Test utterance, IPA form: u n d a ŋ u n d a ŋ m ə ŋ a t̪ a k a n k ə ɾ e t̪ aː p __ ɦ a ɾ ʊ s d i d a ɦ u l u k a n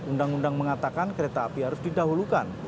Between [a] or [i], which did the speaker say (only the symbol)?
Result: i